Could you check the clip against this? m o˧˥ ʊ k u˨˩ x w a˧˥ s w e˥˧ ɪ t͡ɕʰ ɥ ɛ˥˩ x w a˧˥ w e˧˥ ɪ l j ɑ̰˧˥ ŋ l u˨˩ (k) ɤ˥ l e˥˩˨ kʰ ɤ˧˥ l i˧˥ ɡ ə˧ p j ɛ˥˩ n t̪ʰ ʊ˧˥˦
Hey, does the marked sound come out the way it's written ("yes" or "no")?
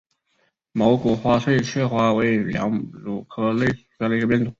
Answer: no